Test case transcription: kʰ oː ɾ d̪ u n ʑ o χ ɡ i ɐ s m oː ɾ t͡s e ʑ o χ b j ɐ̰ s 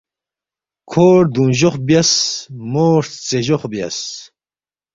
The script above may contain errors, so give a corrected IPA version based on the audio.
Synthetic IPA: kʰ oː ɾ d̪ u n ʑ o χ b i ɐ s m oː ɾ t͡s e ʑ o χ b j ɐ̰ s